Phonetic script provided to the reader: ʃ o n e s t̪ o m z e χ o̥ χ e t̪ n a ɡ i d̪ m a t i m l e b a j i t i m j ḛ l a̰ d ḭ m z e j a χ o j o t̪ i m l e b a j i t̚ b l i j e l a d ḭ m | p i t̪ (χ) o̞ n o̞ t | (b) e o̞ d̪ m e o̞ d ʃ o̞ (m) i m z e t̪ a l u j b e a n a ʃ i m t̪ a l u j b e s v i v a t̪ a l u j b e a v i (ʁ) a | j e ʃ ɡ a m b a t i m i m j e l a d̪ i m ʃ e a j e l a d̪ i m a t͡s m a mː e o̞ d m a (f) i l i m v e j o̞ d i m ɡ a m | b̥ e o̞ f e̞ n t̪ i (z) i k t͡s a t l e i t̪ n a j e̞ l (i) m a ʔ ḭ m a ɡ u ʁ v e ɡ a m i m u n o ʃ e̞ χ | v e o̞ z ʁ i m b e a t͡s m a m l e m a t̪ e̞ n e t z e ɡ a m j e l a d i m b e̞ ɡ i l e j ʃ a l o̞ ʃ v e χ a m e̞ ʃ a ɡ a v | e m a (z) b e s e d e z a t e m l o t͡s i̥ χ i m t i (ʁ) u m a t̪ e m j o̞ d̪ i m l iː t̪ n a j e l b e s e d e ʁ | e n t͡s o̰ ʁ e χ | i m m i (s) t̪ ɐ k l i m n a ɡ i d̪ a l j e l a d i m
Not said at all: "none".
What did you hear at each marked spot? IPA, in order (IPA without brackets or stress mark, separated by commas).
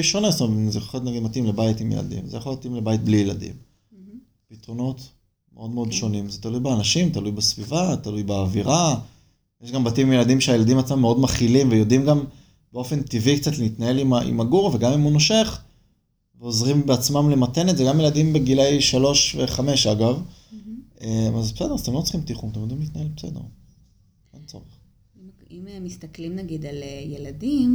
ʁ, m, n, ʁ, χ, v, i, z, χ, s